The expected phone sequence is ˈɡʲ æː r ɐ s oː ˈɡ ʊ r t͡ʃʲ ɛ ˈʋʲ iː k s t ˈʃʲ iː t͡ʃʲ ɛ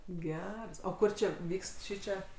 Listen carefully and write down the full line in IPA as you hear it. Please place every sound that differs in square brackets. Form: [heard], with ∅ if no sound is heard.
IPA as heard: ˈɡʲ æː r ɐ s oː [ˈk] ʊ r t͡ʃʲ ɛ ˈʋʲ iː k s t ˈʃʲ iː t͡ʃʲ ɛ